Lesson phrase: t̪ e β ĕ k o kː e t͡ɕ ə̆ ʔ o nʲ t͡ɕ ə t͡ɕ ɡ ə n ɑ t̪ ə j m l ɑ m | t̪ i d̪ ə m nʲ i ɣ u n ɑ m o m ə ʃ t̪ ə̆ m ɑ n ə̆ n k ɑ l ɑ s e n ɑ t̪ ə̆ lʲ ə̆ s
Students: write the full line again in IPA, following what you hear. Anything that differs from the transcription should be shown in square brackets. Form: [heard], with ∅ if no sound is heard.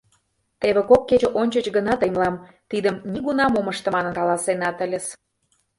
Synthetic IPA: t̪ e β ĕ k o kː e t͡ɕ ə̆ ʔ o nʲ t͡ɕ ə t͡ɕ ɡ ə n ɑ t̪ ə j m l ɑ m | t̪ i d̪ ə m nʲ i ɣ u n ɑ m o m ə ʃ t̪ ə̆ m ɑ n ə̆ n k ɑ l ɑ s e n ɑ t̪ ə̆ lʲ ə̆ s